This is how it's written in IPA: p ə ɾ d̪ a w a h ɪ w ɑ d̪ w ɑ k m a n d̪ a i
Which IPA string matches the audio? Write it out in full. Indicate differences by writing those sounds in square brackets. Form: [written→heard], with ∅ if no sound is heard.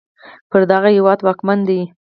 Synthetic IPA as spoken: p ə ɾ d̪ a [w→ɣ] a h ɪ w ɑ d̪ w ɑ k m a n d̪ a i